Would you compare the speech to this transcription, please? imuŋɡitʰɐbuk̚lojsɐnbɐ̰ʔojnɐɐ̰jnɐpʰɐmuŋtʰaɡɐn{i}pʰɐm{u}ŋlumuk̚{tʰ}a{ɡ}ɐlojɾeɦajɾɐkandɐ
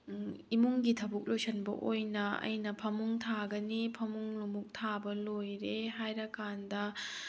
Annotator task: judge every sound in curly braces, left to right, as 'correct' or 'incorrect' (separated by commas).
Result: correct, correct, correct, incorrect